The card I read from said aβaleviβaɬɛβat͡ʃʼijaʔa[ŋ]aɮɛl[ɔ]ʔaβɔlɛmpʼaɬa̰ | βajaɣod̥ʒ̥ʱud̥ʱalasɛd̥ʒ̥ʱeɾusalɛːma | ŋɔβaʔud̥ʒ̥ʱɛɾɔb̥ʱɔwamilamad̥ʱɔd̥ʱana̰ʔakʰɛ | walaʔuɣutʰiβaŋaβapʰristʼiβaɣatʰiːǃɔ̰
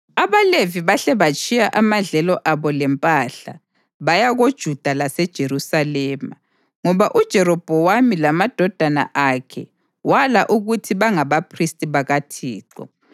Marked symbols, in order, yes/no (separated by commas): no, yes